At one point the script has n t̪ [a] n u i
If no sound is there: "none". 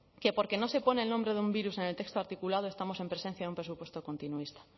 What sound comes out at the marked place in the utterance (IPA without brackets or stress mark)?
i